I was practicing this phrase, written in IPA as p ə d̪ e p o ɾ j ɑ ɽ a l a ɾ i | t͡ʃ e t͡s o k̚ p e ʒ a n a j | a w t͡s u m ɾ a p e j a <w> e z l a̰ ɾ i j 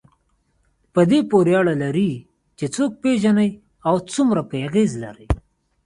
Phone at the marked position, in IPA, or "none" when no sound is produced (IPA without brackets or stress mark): ɣ